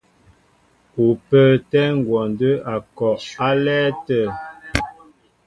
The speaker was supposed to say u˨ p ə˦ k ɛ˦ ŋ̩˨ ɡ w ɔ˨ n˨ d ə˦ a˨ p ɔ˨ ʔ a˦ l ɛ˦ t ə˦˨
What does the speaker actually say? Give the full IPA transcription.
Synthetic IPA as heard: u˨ p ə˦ t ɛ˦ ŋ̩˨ ɡ w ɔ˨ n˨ d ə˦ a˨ k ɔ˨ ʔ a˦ l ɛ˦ t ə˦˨